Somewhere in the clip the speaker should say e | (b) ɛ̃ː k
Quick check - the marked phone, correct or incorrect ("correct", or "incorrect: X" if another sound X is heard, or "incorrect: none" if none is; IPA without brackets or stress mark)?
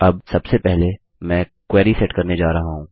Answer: incorrect: m